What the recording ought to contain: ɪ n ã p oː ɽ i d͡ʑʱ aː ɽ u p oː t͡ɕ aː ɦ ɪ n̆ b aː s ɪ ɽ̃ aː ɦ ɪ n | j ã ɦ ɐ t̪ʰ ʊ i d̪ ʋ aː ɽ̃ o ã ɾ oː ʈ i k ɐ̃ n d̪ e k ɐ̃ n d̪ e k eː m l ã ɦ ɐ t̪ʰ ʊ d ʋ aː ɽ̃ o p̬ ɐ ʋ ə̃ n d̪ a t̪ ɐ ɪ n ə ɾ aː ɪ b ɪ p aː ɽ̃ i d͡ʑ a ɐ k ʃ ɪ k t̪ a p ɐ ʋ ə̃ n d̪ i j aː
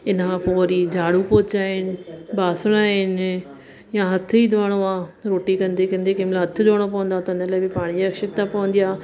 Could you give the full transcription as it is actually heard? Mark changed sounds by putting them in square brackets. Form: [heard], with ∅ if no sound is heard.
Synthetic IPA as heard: ɪ n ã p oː [ɾ] i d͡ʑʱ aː ɽ u p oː t͡ɕ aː ɦ ɪ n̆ b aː s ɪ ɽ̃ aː ɦ ɪ n | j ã ɦ ɐ t̪ʰ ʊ i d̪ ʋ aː ɽ̃ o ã ɾ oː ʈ i k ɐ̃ n d̪ e k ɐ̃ n d̪ e k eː m l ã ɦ ɐ t̪ʰ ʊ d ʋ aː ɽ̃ o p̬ ɐ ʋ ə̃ n d̪ a t̪ ɐ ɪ n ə [l] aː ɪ b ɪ p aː ɽ̃ i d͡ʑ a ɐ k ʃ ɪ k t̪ a p ɐ ʋ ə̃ n d̪ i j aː